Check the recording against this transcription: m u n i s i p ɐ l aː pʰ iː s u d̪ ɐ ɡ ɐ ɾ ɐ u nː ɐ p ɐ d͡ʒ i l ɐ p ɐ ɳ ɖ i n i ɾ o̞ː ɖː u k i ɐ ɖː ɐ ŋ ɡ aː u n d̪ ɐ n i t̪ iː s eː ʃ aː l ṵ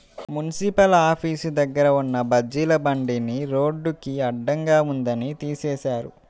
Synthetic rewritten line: m u n i s i p ɐ l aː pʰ iː s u d̪ ɐ ɡː ɐ ɾ ɐ u nː ɐ b ɐ d͡ʒ i l ɐ b ɐ ɳ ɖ i n i ɾ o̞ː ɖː u k i ɐ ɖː ɐ ŋ ɡ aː u n d̪ ɐ n i t̪ iː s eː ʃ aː ɾ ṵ